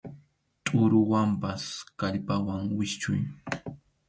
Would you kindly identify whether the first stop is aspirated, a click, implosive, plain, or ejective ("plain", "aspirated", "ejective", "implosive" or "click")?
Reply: ejective